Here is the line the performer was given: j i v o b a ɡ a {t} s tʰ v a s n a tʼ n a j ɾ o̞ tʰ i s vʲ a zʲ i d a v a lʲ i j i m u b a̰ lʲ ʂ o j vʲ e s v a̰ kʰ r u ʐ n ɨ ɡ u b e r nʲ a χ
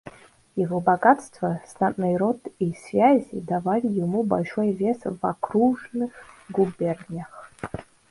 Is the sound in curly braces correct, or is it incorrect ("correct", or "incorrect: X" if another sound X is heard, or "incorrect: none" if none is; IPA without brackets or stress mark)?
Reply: correct